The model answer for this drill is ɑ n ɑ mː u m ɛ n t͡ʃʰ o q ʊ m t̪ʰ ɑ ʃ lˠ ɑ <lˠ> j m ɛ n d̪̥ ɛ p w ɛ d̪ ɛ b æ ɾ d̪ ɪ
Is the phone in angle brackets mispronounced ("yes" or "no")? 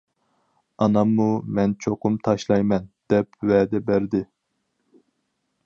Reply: yes